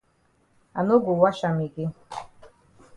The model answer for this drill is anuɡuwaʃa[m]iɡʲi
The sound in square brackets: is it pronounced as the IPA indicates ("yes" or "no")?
yes